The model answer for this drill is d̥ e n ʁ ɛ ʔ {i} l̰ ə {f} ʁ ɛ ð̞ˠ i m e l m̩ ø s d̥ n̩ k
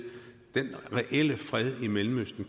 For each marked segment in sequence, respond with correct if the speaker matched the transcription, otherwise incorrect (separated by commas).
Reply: incorrect, correct